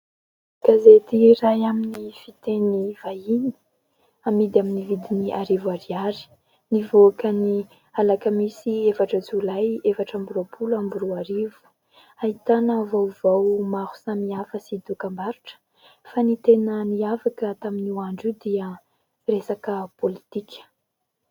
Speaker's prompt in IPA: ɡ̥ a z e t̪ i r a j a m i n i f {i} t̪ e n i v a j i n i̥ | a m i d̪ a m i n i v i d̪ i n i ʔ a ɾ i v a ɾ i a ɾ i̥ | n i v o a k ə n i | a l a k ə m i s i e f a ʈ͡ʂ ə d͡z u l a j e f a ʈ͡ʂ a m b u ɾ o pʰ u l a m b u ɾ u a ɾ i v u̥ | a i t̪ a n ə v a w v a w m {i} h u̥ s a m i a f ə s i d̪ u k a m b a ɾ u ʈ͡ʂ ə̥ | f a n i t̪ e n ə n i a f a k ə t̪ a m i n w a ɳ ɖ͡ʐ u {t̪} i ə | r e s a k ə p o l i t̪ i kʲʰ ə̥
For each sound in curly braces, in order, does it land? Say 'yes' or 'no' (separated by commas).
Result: yes, no, no